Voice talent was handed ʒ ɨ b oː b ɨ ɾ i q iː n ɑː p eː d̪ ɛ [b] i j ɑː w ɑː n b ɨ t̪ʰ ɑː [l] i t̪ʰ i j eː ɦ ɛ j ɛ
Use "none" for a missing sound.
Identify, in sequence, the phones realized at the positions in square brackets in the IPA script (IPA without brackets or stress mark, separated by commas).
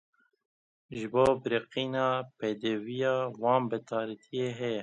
v, ɾ